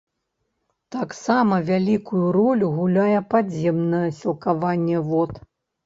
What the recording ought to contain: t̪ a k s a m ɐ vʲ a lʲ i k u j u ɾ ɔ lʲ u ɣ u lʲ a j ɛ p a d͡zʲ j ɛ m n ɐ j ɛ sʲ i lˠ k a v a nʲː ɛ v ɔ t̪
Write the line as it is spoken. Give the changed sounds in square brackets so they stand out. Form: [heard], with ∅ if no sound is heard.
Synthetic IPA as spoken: t̪ a k s a m ɐ vʲ a lʲ i k u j u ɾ ɔ lʲ u ɣ u lʲ a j ɛ p a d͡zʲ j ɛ m n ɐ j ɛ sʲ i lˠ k a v a nʲː ɛ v ɔ t̪